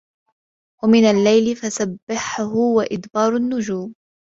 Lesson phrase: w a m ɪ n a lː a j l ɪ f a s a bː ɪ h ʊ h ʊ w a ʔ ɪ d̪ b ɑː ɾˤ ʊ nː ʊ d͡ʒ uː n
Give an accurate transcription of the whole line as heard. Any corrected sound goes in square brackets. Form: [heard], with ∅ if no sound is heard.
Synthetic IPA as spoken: w a m ɪ n a lː a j l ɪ f a s a bː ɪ [ħ] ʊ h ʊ w a ʔ ɪ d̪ b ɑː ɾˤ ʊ nː ʊ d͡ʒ uː [m]